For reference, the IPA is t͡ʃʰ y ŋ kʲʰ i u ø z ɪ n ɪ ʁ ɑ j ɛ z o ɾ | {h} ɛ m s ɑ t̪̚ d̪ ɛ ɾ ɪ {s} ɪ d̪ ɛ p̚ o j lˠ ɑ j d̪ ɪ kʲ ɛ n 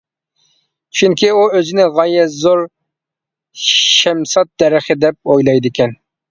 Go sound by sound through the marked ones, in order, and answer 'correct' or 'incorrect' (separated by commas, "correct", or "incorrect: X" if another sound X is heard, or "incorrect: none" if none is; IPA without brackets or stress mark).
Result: incorrect: ʃ, incorrect: χ